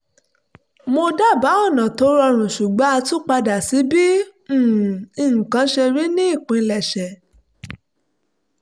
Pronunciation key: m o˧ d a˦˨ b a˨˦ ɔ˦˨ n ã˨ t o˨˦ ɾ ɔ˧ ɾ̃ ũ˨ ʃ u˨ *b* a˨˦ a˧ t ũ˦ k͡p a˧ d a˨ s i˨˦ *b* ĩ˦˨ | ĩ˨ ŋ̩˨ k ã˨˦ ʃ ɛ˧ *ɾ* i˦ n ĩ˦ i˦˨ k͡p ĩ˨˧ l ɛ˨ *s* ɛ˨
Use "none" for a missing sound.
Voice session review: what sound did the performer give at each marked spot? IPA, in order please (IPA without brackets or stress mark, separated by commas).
ɡ͡b, b, ɾ, ʃ